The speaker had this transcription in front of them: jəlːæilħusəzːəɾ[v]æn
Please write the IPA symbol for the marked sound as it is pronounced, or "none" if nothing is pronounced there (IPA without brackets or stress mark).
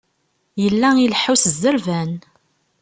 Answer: v